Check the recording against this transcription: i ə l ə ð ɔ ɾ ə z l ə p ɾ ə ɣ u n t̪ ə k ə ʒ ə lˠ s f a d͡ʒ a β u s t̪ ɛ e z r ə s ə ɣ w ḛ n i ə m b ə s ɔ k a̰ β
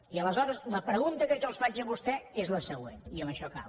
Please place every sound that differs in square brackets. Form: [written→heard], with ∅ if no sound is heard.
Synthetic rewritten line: i ə l ə [ð→z] ɔ ɾ ə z l ə p ɾ ə ɣ u n t̪ ə k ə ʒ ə lˠ s f a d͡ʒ [a→ə] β u s t̪ ɛ e z [r→l] ə s ə ɣ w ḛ n i ə m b ə [s→ʃ] ɔ k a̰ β